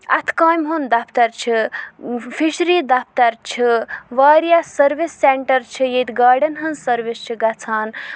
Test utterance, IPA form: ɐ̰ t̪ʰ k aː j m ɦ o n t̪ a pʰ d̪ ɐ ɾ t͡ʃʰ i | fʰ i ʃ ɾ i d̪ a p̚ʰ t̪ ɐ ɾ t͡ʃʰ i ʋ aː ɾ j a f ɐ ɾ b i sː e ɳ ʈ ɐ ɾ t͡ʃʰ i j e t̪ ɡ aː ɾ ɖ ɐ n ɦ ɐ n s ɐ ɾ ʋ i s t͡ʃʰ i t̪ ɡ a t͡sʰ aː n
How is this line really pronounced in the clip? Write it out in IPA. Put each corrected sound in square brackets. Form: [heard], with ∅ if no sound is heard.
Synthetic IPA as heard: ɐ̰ t̪ʰ k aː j m ɦ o n [d̪] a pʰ [t̪] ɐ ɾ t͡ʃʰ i | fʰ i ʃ ɾ i d̪ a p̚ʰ t̪ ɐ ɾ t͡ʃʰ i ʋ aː ɾ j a [s] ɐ ɾ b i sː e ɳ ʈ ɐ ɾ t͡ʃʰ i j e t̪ ɡ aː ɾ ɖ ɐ n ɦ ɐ n s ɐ ɾ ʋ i s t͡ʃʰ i [∅] ɡ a t͡sʰ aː n